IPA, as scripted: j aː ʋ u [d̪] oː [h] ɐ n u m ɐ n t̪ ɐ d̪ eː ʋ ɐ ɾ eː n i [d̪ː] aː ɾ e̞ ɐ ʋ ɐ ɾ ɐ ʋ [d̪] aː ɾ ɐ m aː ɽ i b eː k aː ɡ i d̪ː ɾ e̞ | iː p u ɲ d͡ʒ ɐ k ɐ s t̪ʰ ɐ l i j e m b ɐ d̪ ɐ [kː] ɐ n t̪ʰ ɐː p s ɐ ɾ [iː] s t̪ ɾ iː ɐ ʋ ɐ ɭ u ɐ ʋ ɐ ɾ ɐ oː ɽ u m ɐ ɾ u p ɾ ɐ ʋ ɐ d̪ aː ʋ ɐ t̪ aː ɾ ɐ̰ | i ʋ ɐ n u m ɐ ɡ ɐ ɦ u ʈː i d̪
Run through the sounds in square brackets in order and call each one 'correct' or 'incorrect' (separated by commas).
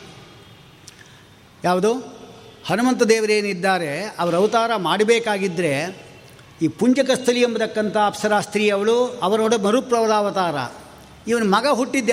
correct, correct, correct, incorrect, correct, incorrect